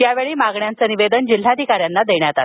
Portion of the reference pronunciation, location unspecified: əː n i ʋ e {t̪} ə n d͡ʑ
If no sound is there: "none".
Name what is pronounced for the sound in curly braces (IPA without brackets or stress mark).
d̪